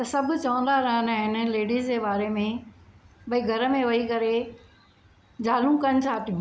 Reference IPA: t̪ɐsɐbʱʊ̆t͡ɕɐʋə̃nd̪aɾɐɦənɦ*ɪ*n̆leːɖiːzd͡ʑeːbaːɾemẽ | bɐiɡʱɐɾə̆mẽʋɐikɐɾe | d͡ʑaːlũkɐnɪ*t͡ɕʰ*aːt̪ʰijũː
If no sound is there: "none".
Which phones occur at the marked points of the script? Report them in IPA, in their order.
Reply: ɪ, t͡ɕʰ

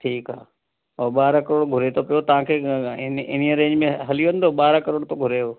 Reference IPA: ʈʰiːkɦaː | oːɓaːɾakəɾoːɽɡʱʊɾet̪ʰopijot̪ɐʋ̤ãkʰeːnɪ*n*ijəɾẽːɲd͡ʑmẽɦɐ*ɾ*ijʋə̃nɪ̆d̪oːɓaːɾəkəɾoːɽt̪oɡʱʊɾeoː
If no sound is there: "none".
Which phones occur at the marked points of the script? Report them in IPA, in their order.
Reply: n, l

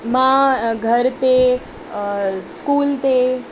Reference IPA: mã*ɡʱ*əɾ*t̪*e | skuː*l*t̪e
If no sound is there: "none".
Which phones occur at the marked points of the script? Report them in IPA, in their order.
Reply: ɡʱ, t̪, l

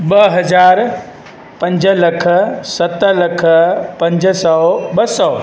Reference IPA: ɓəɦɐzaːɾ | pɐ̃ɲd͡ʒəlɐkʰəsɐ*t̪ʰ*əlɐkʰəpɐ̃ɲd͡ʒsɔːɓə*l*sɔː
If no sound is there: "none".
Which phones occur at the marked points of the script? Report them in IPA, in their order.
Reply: t̪, none

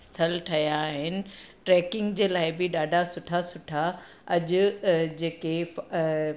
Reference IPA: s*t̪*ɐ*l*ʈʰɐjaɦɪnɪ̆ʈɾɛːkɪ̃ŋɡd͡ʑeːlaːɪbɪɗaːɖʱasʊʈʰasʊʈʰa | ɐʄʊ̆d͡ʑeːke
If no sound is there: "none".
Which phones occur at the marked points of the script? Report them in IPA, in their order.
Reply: t̪ʰ, l

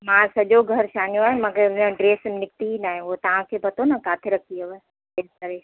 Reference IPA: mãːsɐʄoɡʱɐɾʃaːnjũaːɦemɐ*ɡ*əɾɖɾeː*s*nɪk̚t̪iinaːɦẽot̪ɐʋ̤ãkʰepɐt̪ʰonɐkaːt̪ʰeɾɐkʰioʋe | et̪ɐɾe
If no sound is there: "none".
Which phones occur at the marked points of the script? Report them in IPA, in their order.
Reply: ɡ, s

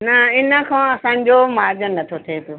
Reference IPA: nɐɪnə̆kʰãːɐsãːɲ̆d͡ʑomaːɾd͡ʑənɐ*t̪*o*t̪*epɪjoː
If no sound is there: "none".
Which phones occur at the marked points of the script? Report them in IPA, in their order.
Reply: t̪ʰ, t̪ʰ

